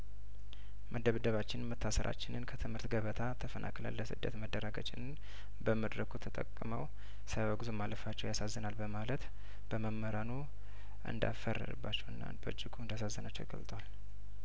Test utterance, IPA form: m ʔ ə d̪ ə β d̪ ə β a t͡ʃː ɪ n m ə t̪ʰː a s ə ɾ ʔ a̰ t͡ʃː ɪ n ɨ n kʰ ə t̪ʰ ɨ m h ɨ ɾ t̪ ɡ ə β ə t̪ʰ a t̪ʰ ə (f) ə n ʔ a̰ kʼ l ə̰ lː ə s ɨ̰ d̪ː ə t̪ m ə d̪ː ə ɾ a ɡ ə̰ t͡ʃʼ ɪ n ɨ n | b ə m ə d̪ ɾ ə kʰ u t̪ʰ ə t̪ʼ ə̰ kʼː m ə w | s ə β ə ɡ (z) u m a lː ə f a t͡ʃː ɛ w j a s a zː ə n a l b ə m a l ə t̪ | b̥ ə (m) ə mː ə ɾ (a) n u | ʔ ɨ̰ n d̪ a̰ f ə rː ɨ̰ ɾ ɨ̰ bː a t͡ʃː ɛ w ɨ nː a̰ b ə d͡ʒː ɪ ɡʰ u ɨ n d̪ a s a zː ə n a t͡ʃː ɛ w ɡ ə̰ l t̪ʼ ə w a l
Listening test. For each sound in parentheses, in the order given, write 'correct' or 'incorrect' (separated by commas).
correct, correct, correct, correct